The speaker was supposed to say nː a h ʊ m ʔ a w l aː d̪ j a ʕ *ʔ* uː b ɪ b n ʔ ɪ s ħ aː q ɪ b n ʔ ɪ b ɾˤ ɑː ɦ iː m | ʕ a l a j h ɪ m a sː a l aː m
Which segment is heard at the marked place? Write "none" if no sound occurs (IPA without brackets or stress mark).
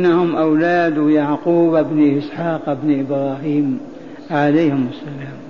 q